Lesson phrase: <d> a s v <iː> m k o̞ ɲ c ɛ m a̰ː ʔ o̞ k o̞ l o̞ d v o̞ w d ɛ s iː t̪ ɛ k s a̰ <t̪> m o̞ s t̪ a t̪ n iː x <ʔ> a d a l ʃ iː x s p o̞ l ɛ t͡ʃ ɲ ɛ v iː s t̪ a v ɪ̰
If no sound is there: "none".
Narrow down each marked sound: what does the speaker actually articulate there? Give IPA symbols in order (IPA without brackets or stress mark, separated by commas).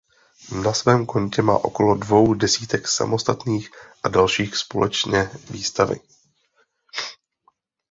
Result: n, ɛː, none, ʔ